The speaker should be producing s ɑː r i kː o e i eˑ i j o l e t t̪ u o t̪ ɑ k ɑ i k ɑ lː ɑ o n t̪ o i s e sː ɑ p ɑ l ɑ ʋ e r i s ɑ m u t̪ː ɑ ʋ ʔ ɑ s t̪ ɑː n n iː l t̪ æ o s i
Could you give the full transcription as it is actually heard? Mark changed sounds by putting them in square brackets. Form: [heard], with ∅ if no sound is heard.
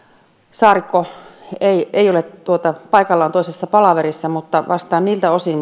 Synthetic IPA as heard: s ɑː r i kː o e i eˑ i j o l e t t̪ u o t̪ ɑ [p] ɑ i k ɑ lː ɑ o n t̪ o i s e sː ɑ p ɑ l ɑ ʋ e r i [sː] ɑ m u t̪ː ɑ ʋ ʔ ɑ s t̪ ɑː n n iː l t̪ æ o s i

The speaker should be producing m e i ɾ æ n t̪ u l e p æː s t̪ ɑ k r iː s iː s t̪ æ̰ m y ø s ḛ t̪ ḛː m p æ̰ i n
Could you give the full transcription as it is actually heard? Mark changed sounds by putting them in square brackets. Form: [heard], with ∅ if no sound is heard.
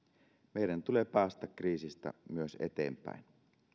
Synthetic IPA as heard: m e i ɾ æ n t̪ u l e p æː s t̪ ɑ k r iː s [i] s t̪ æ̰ m y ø s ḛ t̪ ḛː m p æ̰ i n

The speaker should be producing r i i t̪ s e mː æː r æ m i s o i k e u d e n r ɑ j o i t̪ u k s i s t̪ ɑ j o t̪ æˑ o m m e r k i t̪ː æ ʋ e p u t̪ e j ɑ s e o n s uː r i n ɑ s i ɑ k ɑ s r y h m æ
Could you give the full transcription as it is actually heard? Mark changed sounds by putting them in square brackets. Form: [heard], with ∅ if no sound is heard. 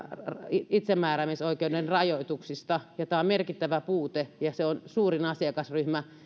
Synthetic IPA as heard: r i i t̪ s e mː æː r æ m i s o i k e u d e n r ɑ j o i t̪ u k s i s t̪ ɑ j o t̪ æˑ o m m e r k i t̪ː æ ʋ [æ] p [uː] t̪ e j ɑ s e o n s uː r i n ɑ s i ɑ k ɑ s r y h m æ

